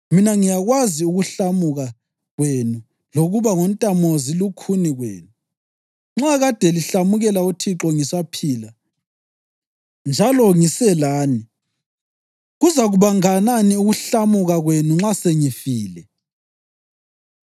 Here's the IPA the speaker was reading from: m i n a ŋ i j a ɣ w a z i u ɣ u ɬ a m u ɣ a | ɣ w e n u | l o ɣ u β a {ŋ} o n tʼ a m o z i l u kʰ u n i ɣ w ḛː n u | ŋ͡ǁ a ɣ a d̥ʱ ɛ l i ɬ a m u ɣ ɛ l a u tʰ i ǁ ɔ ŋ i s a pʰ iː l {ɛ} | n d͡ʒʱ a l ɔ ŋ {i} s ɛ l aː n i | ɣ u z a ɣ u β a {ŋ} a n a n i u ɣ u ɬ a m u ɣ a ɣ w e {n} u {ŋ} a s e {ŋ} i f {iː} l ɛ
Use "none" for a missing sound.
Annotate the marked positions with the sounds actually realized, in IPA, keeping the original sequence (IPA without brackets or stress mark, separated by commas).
ŋ, a, i, ŋ, n, ŋ͡ǁ, ŋ, iː